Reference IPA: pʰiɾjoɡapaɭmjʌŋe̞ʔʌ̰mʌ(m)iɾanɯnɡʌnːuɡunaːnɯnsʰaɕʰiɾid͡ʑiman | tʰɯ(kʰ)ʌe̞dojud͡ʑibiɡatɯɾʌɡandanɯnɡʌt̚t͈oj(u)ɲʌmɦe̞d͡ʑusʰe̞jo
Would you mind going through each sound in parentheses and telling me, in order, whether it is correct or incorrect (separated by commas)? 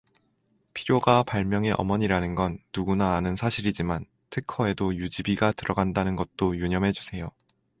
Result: incorrect, correct, correct